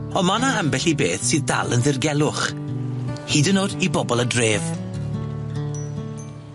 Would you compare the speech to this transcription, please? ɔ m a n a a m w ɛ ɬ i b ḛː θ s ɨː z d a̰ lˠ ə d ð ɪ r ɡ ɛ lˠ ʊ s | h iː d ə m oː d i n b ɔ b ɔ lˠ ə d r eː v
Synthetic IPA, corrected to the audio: ɔ m a n a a m b ɛ ɬ i b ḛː θ s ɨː ð d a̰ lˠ ə n ð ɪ r ɡ ɛ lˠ ʊ χ | h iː d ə n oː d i b ɔ b ɔ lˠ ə d r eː v